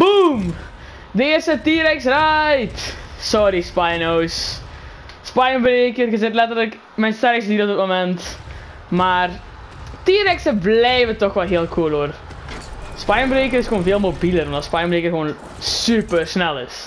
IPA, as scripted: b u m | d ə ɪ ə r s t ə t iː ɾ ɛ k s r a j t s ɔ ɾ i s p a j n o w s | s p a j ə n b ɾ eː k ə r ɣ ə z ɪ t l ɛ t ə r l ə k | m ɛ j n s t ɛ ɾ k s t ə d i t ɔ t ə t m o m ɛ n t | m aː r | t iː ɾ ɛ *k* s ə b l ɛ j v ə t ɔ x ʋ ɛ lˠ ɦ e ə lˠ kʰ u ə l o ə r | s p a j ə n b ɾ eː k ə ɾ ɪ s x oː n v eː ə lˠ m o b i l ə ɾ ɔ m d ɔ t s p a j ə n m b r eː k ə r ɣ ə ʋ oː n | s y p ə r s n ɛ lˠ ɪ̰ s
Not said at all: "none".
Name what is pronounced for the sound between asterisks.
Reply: k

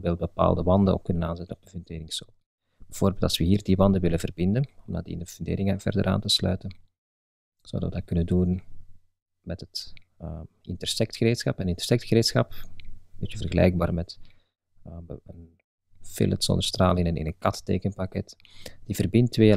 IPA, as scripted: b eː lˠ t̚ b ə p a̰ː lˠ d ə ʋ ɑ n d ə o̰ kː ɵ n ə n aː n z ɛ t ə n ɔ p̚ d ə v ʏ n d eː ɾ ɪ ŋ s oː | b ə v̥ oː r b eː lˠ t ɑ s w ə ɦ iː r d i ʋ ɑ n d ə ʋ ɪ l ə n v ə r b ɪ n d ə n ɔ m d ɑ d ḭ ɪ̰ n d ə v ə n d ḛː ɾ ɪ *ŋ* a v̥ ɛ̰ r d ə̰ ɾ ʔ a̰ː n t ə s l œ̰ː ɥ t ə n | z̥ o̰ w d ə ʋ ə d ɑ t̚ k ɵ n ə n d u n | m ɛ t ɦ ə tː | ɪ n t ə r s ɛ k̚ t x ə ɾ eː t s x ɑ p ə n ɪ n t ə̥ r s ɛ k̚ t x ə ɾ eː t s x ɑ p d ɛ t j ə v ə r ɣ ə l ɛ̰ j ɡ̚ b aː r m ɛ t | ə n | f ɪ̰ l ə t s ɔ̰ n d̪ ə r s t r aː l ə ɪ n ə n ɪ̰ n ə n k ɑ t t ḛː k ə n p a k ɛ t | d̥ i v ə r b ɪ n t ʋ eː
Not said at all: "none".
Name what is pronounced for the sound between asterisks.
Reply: ŋ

